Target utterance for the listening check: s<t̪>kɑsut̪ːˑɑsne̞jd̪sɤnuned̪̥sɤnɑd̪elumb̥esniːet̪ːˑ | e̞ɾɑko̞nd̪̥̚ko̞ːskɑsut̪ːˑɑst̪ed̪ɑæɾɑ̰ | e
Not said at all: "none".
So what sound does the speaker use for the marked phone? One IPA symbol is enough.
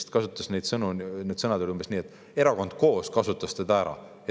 t̪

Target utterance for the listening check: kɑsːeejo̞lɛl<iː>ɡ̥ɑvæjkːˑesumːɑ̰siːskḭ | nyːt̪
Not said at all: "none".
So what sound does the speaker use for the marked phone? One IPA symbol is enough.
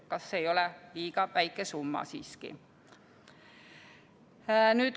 iː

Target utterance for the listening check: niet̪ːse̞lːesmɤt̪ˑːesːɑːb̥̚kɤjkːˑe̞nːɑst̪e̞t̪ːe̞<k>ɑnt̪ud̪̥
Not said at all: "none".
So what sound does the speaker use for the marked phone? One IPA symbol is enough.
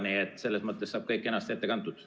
k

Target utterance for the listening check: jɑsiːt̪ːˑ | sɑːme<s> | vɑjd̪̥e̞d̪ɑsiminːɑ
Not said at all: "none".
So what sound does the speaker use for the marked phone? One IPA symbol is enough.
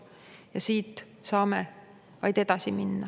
none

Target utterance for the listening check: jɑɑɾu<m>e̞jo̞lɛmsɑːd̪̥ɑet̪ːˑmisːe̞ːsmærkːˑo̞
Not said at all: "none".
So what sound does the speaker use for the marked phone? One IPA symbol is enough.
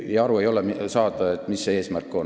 none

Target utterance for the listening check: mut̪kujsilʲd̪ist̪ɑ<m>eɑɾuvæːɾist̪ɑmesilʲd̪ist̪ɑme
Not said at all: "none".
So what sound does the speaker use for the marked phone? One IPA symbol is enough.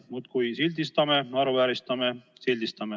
m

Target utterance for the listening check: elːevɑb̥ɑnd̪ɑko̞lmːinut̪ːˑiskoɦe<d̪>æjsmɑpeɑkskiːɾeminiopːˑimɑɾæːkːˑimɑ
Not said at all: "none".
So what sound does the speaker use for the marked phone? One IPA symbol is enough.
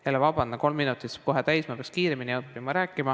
t̪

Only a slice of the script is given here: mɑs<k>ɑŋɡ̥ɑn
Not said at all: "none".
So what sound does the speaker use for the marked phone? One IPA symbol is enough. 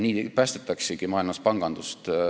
p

